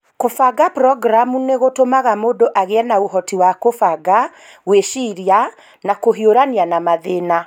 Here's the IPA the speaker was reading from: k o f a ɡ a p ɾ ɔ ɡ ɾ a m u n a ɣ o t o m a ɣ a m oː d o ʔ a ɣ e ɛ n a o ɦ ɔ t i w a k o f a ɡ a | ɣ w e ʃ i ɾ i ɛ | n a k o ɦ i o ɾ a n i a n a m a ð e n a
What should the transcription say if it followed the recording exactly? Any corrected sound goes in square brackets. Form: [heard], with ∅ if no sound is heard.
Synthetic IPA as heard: k o f a ɡ a p ɾ ɔ ɡ ɾ a m u n [e] ɣ o t o m a ɣ a m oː d o ʔ a ɣ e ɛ n a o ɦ ɔ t i w a k o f a ɡ a | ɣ w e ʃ i ɾ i [a] | n a k o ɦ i o ɾ a n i a n a m a ð e n a